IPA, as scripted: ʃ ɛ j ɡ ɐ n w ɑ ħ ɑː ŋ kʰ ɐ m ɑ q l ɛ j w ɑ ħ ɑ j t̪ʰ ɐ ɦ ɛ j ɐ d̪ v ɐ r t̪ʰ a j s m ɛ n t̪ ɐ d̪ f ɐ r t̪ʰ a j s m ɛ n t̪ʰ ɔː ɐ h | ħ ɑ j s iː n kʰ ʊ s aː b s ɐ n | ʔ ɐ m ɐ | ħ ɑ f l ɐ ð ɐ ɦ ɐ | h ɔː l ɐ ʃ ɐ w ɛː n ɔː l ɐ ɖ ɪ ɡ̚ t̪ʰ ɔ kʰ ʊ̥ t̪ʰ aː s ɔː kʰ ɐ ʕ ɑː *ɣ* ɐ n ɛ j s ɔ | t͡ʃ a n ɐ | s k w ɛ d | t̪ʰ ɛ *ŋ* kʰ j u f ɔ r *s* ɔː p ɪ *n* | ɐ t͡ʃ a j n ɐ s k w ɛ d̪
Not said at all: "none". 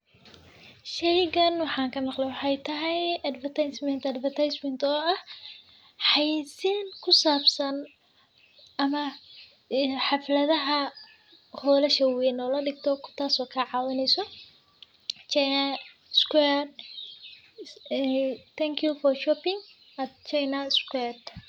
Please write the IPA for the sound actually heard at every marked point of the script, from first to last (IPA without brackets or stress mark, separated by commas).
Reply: w, ŋ, ʃ, ŋ